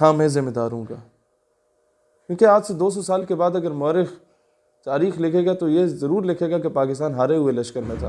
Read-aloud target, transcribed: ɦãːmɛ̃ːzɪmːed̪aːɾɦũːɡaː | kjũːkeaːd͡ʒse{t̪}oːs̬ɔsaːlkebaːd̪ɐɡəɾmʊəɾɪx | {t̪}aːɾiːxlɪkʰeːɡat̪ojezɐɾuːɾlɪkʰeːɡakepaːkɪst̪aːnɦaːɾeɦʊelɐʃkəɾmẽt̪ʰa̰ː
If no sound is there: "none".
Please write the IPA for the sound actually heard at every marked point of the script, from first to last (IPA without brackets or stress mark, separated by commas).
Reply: d̪, t̪